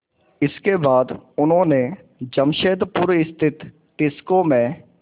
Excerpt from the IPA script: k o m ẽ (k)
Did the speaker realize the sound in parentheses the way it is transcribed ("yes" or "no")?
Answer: no